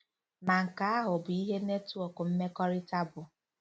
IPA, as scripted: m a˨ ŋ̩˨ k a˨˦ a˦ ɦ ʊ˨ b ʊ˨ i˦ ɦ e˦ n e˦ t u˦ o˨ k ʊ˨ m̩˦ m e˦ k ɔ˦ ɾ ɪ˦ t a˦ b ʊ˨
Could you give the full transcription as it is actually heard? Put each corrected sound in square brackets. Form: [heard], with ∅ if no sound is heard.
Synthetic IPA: m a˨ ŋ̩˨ k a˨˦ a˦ ɦ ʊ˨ b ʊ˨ i˦ ɦ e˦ n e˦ t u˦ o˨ k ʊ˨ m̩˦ m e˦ k ɔ˦ ɾ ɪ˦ t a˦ b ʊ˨